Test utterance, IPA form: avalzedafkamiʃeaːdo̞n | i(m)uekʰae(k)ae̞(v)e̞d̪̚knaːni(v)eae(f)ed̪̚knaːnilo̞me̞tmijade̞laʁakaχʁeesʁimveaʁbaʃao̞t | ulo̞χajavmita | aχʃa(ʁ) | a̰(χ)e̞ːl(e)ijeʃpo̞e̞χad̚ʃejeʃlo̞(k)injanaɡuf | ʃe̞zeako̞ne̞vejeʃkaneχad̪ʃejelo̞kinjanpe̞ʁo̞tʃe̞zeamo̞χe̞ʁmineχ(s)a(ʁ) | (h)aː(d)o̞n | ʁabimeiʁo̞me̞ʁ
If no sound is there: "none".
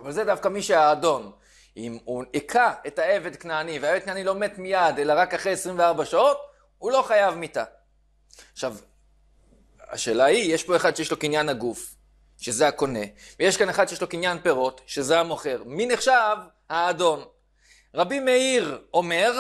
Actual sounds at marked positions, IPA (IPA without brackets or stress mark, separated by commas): m, t, v, v, v, v, ʃ, a, k, ʃ, v, h, d